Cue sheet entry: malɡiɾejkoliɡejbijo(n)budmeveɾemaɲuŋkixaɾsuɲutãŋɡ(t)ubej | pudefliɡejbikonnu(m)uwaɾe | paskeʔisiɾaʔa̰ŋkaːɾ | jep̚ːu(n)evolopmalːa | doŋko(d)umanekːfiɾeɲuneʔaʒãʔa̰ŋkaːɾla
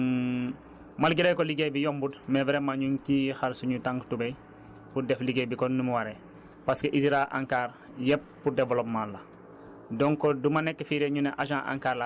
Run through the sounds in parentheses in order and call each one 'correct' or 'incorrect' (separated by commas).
incorrect, correct, correct, incorrect, correct